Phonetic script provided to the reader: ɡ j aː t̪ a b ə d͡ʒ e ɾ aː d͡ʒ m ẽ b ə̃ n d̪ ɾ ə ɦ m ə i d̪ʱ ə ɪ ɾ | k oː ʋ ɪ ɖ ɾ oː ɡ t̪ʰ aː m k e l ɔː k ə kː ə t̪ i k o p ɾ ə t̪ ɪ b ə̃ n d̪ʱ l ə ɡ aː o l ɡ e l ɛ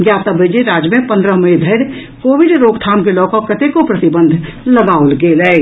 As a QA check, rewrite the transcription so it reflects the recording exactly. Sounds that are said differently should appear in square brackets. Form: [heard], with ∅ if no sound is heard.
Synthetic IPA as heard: ɡ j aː t̪ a b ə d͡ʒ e ɾ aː d͡ʒ m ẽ [p] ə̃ n d̪ ɾ ə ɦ m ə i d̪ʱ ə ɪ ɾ | k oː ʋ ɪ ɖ ɾ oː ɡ t̪ʰ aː m k e l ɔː k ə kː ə t̪ [e] k o p ɾ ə t̪ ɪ b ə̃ n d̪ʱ l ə ɡ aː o l ɡ e l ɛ